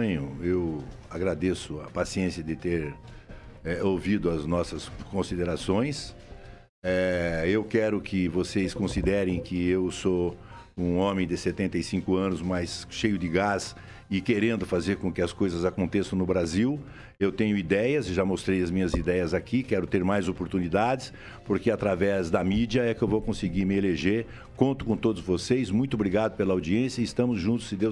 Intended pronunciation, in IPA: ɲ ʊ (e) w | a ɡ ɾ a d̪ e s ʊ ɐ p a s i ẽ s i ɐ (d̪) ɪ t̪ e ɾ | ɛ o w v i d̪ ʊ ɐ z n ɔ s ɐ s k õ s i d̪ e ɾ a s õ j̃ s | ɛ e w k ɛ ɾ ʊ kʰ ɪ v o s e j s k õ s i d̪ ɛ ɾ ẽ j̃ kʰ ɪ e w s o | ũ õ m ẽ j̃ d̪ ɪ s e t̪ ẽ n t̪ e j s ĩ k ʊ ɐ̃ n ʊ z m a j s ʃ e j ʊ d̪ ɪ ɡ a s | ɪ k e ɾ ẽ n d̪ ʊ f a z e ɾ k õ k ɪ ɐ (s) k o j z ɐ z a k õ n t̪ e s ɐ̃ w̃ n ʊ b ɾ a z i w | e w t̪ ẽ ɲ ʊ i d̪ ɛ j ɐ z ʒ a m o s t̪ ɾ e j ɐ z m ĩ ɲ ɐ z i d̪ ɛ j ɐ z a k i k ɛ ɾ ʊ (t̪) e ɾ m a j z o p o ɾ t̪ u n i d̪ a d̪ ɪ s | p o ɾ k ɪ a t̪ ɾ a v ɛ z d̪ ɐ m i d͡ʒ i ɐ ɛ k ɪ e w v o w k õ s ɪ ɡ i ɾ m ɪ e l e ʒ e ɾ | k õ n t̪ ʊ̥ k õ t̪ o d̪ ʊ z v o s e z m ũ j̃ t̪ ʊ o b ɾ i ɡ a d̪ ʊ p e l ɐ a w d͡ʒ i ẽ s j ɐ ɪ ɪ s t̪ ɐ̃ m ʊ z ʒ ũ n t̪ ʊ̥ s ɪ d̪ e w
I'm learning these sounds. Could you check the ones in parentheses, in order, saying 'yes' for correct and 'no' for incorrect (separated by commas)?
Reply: yes, yes, yes, yes